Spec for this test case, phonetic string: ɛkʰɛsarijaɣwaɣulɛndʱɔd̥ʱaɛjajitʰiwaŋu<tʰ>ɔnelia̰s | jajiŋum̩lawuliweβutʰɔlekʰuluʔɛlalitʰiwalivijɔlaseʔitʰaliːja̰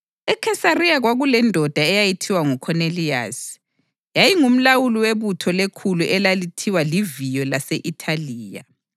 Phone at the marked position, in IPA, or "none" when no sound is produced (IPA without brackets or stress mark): kʰ